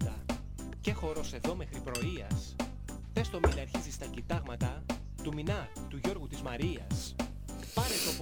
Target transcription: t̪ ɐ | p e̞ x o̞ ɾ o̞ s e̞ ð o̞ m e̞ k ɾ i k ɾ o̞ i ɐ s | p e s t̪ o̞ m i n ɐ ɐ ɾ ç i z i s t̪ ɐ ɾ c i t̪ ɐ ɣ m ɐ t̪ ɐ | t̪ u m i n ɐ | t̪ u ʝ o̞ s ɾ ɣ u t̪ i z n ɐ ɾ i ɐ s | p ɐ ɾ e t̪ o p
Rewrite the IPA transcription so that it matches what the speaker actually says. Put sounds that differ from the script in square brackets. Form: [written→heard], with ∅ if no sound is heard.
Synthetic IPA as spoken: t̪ ɐ | [p→c] e̞ x o̞ ɾ o̞ s e̞ ð o̞ m e̞ [k→x] ɾ i [k→p] ɾ o̞ i ɐ s | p e s t̪ o̞ m i n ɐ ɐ ɾ ç i z i s t̪ ɐ [ɾ→∅] c i t̪ ɐ ɣ m ɐ t̪ ɐ | t̪ u m i n ɐ | t̪ u ʝ o̞ [s→∅] ɾ ɣ u t̪ i z [n→m] ɐ ɾ i ɐ s | p ɐ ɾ e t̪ o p